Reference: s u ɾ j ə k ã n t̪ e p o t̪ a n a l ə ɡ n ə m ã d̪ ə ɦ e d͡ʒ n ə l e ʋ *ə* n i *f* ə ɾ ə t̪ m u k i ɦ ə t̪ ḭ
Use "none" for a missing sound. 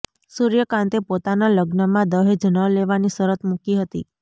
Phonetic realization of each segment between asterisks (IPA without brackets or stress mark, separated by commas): a, s